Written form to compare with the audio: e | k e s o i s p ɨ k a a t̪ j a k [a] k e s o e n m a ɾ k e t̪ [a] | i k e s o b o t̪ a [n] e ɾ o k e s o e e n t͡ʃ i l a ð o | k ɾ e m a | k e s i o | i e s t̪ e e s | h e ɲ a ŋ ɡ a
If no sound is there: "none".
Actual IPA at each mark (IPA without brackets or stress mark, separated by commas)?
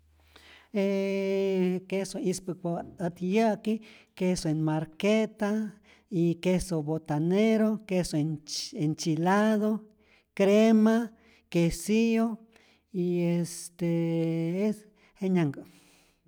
i, a, n